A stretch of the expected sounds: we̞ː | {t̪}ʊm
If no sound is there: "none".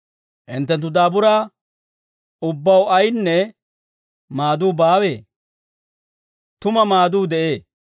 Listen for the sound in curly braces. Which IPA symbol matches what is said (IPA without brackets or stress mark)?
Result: t̪